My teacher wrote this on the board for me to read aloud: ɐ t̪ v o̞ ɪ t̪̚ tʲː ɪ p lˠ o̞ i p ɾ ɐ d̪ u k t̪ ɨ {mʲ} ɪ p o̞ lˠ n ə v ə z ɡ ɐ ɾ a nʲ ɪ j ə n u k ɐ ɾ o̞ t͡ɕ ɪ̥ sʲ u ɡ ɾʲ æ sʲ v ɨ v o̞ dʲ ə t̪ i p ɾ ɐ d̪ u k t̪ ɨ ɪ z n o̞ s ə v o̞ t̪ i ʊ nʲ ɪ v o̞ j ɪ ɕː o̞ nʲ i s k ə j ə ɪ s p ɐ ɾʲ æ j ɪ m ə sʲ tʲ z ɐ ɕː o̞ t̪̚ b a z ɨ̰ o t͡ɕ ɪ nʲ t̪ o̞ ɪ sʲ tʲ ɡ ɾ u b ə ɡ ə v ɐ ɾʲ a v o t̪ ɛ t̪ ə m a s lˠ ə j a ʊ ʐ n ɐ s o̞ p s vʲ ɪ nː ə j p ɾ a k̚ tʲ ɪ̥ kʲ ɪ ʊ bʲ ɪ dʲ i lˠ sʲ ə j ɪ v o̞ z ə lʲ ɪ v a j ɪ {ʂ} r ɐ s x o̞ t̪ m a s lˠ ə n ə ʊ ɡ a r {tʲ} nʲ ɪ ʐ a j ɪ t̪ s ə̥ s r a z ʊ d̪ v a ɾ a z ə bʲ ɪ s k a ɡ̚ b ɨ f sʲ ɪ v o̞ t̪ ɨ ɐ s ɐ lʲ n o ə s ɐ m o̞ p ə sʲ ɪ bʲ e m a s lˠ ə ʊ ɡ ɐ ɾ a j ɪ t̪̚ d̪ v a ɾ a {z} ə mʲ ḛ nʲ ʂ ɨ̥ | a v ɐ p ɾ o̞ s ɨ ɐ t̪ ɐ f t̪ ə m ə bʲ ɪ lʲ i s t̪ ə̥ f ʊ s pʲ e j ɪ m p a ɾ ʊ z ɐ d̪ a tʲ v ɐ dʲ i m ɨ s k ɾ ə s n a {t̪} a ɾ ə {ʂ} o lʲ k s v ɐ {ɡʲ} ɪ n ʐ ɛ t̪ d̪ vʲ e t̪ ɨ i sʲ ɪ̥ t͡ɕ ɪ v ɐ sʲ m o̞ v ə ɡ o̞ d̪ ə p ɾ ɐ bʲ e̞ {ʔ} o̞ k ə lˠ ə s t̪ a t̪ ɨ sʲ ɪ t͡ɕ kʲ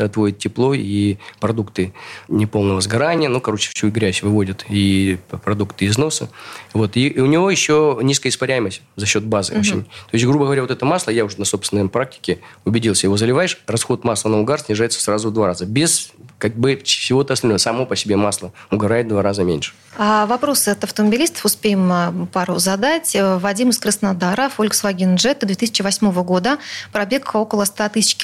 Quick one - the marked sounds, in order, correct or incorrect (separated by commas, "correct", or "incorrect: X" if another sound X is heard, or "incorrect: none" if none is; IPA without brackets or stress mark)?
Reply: incorrect: nʲ, correct, incorrect: sʲ, correct, incorrect: d̪, incorrect: f, correct, incorrect: k